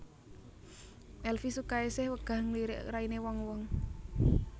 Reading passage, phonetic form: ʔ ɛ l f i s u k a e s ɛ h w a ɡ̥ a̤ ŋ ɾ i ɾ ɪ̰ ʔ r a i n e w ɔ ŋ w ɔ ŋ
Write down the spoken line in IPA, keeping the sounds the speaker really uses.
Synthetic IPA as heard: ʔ ɛ l f i s u k a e s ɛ h w ə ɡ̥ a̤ ŋ l i ɾ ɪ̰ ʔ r a i n e w ɔ ŋ w ɔ ŋ